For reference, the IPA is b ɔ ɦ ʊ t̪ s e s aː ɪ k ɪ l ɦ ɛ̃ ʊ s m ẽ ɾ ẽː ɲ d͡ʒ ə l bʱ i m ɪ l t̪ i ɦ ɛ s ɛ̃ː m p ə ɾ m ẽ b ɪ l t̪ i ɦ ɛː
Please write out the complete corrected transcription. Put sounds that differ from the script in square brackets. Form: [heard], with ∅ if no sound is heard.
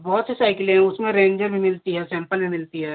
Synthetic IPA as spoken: b ɔ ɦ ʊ t̪ s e s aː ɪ k ɪ l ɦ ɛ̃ ʊ s m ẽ ɾ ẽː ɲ d͡ʒ ə [ɾ] bʱ i m ɪ l t̪ i ɦ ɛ s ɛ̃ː m p ə [l] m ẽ [m] ɪ l t̪ i ɦ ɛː